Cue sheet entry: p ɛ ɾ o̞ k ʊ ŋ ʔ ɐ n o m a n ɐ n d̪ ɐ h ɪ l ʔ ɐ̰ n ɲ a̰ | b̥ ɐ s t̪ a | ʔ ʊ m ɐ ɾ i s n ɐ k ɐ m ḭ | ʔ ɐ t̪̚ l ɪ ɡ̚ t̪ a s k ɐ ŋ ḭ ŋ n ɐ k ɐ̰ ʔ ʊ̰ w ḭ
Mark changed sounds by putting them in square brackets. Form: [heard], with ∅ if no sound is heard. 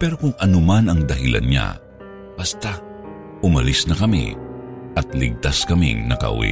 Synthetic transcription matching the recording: p ɛ ɾ o̞ k ʊ ŋ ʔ ɐ n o m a n ɐ [ŋ] d̪ ɐ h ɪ l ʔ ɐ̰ n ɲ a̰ | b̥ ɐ s t̪ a | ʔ ʊ m ɐ [l] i s n ɐ k ɐ m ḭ | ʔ ɐ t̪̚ l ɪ ɡ̚ t̪ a s k ɐ [m] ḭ ŋ n ɐ k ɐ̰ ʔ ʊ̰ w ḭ